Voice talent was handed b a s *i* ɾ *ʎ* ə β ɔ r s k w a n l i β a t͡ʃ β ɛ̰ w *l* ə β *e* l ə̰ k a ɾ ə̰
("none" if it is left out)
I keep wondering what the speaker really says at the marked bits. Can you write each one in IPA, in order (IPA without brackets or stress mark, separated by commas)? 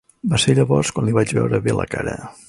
e, ʎ, ɾ, e